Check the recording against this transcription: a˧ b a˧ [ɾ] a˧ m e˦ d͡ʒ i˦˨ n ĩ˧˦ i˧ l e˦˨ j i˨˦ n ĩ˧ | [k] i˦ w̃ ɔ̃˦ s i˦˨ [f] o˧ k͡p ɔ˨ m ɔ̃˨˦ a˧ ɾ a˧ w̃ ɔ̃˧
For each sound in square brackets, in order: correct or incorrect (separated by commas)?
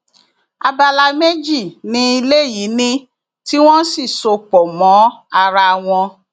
incorrect, incorrect, incorrect